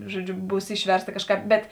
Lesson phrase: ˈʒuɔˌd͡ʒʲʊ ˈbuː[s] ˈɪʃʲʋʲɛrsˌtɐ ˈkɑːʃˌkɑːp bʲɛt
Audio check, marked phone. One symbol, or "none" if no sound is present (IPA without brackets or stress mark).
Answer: s